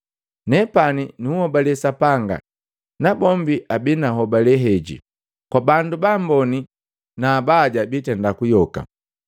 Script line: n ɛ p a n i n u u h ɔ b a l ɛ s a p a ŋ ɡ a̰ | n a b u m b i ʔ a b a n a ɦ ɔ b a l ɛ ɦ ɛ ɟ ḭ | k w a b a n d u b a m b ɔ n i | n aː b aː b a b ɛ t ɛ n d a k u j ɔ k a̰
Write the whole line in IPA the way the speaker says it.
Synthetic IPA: n ɛ p a n i n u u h ɔ b a l ɛ s a p a ŋ ɡ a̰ | n a b ɔ m b i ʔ a b i n a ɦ ɔ b a l ɛ ɦ ɛ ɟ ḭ | k w a b a n d u b a m b ɔ n i | n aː b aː ɟ a b i t ɛ n d a k u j ɔ k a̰